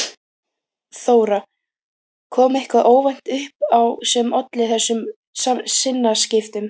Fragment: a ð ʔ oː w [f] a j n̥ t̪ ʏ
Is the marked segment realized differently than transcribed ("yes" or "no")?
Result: yes